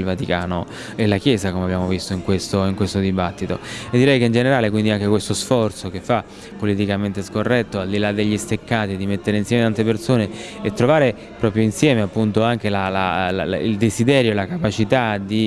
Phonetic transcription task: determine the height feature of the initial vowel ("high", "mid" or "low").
low